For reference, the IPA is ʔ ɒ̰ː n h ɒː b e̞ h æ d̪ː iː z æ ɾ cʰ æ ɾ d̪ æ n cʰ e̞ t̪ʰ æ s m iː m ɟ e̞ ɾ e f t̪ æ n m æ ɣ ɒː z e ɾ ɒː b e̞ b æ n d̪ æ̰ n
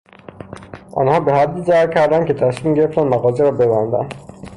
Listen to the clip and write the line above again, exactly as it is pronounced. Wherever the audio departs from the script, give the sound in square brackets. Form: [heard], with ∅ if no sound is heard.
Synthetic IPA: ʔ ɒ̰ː n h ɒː b e̞ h æ d̪ː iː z æ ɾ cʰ æ ɾ d̪ æ n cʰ e̞ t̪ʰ æ s m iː m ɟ e̞ ɾ e f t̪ æ n m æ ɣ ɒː z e ɾ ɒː b e̞ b æ n d̪ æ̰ n